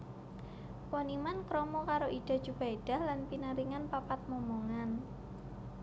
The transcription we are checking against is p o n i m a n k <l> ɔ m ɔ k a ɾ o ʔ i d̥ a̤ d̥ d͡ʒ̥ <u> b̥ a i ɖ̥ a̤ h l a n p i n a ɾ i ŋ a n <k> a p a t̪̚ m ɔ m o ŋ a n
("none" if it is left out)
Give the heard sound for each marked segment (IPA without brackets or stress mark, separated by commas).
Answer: ɾ, u, p